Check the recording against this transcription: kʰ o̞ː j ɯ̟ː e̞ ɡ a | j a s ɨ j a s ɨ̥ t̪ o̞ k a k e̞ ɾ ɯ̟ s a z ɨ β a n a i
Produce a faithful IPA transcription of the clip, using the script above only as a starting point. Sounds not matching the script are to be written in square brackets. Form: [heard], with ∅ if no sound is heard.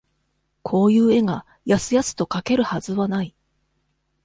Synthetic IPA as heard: kʰ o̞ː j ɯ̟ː e̞ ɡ a | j a s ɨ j a s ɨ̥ t̪ o̞ k a k e̞ ɾ ɯ̟ [h] a z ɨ β a n a i